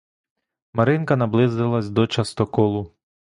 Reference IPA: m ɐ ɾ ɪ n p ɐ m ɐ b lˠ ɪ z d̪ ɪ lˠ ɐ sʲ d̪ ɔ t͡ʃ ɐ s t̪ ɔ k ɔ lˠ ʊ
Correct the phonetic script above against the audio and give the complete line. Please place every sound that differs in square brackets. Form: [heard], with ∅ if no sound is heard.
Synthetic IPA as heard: m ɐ ɾ ɪ n [k] ɐ [n] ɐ b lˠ ɪ z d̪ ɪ lˠ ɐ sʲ d̪ ɔ t͡ʃ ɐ s t̪ ɔ k ɔ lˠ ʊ